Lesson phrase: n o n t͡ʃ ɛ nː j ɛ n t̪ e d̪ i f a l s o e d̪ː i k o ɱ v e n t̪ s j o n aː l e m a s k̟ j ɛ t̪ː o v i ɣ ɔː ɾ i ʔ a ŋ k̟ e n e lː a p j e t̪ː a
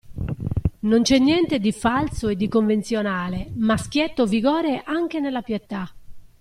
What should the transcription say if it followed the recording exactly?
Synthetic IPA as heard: n o n t͡ʃ ɛ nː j ɛ n t̪ e d̪ i f a l s o e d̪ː i k o ɱ v e n t̪ s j o n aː l e m a s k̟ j ɛ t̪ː o v i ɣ ɔː ɾ e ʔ a ŋ k̟ e n e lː a p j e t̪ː a